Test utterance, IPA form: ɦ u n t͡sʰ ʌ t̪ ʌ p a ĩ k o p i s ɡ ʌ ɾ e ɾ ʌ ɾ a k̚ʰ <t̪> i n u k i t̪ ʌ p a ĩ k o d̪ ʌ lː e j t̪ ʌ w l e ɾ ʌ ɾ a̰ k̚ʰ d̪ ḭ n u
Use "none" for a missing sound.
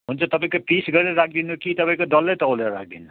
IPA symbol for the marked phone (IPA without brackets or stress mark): d̪